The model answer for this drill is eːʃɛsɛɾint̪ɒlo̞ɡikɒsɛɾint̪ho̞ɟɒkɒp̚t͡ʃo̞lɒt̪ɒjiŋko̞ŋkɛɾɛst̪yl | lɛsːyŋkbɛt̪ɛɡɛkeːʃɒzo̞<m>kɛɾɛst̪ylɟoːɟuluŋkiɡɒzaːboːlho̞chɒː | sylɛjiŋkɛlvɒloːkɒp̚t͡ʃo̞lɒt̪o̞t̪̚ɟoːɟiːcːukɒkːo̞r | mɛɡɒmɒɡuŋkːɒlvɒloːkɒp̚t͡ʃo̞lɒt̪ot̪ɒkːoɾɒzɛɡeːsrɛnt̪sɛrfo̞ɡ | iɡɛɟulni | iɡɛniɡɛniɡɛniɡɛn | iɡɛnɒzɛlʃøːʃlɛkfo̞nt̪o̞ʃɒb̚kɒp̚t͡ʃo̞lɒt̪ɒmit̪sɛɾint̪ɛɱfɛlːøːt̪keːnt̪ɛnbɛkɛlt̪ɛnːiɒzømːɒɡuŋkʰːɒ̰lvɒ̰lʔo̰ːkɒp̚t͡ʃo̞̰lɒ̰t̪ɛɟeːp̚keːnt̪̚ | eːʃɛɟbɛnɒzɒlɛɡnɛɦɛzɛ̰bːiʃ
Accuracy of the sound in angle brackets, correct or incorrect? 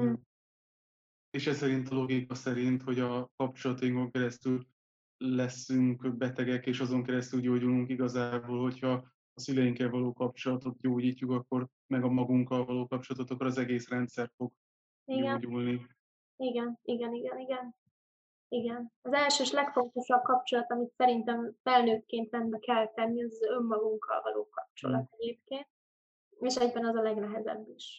incorrect